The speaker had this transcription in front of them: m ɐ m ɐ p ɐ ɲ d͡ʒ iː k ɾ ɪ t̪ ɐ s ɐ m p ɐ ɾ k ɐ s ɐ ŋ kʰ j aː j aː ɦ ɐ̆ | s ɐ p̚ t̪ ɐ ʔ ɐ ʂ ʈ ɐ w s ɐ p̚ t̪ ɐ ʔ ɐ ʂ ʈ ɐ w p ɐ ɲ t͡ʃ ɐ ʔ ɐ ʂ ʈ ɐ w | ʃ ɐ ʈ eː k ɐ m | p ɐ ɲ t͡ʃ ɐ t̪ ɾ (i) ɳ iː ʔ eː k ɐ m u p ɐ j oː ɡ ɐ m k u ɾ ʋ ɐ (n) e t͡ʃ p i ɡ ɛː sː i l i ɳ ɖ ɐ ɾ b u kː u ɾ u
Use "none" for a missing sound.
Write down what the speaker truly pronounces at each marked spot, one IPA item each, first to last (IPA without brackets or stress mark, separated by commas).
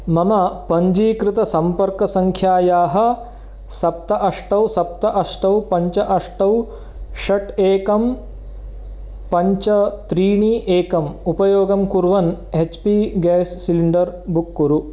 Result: iː, n